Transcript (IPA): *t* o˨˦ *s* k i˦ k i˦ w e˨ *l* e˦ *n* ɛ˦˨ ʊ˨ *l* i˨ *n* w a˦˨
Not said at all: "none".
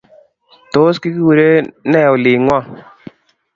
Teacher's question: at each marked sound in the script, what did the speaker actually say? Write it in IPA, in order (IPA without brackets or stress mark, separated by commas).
t, s, ɾ, n, l, ŋ